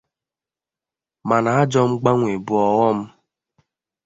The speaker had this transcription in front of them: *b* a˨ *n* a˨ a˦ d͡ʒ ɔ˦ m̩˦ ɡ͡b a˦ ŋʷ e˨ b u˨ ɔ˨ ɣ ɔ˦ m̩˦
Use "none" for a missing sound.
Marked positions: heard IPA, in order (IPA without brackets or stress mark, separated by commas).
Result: m, n